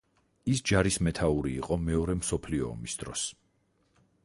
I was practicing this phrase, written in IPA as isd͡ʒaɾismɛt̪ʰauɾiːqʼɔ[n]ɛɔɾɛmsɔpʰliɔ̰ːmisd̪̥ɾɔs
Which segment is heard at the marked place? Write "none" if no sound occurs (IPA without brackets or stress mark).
m